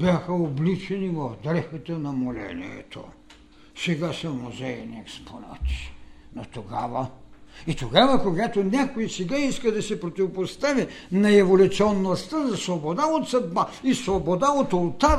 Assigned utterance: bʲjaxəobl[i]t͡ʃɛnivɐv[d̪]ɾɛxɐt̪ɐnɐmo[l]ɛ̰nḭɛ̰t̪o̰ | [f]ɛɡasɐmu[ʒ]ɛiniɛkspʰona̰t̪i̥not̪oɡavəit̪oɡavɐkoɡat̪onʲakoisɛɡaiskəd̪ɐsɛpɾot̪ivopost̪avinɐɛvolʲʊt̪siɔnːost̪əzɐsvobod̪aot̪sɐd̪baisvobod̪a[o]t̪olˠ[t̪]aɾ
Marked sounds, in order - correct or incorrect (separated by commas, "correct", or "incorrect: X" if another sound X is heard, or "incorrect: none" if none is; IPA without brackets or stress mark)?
correct, correct, correct, incorrect: s, incorrect: z, correct, correct